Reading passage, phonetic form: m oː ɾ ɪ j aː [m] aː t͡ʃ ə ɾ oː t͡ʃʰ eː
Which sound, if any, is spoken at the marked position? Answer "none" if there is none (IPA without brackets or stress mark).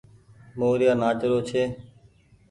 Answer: n